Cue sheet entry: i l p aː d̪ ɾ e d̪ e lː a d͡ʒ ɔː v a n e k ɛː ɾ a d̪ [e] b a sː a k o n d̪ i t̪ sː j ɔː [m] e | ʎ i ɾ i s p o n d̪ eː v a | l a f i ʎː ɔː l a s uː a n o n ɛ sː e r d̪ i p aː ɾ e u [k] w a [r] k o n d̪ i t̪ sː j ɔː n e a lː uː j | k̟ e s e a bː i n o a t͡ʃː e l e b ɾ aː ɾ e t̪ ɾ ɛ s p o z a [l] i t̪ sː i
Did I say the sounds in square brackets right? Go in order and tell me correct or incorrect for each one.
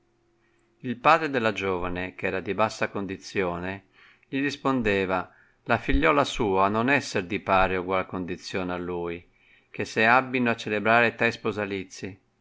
incorrect: i, incorrect: n, incorrect: ɡ, incorrect: l, correct

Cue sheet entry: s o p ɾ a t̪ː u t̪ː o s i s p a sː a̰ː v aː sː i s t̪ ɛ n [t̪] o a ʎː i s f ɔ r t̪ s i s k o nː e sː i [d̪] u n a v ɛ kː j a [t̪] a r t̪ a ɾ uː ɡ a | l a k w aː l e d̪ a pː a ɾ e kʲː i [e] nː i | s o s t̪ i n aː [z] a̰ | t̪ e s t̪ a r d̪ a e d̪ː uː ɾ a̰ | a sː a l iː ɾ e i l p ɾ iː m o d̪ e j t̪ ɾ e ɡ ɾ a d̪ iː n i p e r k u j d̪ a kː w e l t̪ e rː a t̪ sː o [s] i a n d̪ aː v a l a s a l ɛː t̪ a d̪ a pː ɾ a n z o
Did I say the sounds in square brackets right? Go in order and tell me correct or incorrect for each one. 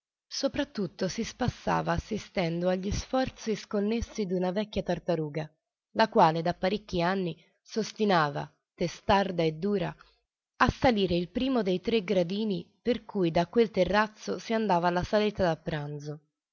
incorrect: d̪, correct, correct, incorrect: a, incorrect: v, correct

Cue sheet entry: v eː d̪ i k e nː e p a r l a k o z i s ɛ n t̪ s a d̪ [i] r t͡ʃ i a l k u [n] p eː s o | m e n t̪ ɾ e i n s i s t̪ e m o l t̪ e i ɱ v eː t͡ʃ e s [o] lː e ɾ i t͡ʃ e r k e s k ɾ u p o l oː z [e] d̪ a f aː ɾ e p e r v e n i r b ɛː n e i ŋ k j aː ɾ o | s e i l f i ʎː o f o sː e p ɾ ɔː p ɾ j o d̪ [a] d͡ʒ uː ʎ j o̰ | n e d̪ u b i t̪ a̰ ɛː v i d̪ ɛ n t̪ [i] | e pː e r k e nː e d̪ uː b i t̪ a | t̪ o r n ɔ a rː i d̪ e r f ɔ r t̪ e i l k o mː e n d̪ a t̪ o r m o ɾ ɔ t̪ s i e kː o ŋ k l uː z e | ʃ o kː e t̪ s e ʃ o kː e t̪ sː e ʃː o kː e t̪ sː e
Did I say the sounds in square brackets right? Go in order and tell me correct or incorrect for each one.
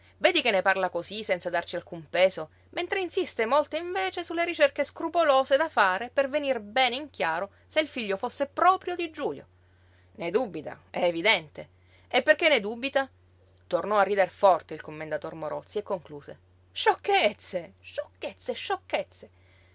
incorrect: a, incorrect: m, incorrect: u, correct, incorrect: i, incorrect: e

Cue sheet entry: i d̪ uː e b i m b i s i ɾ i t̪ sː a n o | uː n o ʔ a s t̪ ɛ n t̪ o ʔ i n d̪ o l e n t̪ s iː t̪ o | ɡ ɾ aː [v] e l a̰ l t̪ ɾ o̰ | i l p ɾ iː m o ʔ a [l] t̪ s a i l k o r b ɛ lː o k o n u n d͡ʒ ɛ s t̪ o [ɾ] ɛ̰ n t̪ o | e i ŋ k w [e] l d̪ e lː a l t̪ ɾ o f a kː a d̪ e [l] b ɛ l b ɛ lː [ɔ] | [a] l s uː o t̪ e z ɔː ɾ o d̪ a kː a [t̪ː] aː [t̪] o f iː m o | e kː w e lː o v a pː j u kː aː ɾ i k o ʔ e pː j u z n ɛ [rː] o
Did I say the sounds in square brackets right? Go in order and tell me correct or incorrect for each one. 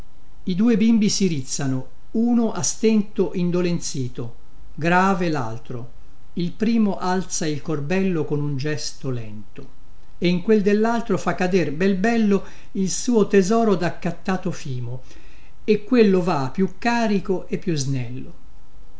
correct, correct, incorrect: l, correct, incorrect: r, incorrect: o, incorrect: i, correct, correct, incorrect: lː

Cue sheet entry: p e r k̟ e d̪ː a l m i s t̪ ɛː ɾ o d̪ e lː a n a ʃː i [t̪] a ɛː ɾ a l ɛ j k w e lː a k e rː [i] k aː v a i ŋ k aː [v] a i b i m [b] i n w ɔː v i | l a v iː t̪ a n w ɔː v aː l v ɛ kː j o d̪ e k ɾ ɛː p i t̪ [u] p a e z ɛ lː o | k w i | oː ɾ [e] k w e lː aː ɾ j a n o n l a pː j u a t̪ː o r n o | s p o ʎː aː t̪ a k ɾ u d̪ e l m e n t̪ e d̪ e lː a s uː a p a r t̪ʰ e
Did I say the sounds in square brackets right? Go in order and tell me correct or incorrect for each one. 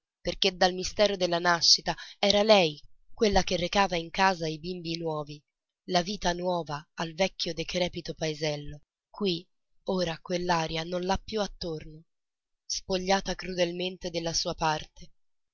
correct, incorrect: e, incorrect: z, correct, incorrect: o, incorrect: a

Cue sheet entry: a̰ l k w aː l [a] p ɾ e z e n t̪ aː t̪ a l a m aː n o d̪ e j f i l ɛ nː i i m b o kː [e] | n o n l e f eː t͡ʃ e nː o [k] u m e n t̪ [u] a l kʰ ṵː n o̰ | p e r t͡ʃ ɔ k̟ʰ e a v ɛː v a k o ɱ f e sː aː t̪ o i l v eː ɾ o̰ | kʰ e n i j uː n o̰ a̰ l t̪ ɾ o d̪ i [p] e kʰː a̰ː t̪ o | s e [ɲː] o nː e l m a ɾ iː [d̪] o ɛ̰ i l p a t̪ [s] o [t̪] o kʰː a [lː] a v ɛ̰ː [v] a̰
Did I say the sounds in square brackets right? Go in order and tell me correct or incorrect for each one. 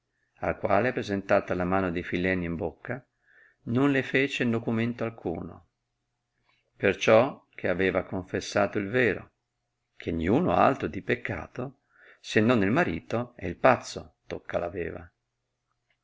incorrect: e, incorrect: a, correct, incorrect: o, correct, incorrect: nː, incorrect: t̪, incorrect: sː, correct, incorrect: l, correct

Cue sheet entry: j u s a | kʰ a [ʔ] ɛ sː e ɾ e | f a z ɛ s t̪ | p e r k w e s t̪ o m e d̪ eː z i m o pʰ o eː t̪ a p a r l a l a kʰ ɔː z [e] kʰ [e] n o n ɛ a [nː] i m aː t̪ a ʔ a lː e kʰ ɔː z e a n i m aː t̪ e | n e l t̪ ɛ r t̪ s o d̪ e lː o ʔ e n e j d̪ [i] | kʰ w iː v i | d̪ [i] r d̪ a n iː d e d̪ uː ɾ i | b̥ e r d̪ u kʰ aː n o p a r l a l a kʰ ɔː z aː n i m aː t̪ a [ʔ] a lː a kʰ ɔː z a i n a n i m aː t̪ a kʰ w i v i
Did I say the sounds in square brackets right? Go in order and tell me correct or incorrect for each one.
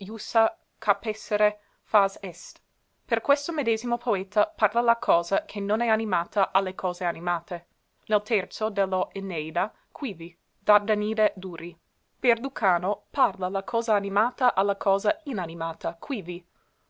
incorrect: p, incorrect: a, correct, incorrect: n, incorrect: a, incorrect: a, correct

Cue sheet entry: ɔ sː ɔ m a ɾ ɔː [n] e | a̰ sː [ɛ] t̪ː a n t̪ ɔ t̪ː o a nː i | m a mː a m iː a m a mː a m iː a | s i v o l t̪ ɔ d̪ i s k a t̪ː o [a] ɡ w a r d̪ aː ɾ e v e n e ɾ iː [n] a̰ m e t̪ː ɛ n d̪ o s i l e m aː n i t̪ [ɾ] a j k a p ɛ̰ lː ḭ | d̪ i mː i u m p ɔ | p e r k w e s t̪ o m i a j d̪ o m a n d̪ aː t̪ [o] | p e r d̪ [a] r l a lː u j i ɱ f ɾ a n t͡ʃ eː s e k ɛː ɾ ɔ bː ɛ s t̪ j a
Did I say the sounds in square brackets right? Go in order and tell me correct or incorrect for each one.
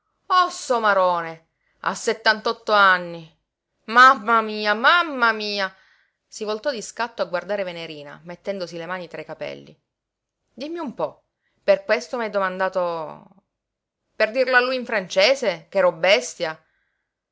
correct, incorrect: e, correct, correct, correct, correct, incorrect: i

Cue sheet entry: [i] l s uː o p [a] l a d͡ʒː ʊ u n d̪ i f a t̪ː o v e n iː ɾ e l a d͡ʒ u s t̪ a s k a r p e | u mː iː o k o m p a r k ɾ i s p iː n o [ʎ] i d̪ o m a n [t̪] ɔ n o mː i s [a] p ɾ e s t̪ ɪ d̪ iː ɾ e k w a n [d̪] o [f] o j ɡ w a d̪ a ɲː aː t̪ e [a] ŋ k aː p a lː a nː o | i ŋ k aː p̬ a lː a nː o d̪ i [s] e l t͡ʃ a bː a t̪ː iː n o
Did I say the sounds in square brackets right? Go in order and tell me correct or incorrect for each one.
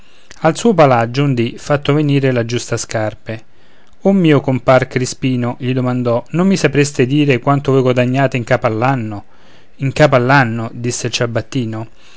incorrect: a, correct, correct, incorrect: d̪, correct, incorrect: t̪, incorrect: v, incorrect: i, incorrect: sː

